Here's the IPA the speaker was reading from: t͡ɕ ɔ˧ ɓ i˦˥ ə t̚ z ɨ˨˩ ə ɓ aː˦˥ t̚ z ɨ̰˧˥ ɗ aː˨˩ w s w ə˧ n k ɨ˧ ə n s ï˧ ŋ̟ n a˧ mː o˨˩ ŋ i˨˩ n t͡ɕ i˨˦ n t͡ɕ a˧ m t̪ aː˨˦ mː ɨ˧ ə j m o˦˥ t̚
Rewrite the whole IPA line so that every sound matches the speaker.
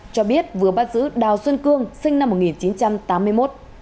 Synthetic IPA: t͡ɕ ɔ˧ ɓ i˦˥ ə t̚ v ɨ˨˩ ə ɓ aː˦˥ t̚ z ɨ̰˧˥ ɗ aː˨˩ w s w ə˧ n k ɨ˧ ə ŋ s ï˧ ŋ̟ n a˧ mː o˨˩ ŋ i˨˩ n t͡ɕ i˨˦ n t͡ɕ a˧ m t̪ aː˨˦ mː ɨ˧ ə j m o˦˥ t̚